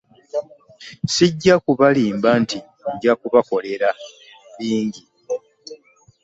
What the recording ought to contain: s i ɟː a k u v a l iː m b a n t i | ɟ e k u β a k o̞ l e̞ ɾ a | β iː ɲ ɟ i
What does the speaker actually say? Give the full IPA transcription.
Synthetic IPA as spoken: s i ɟː a k u β a l iː m b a n t i | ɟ a k u β a k o̞ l e̞ ɾ a | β iː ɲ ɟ i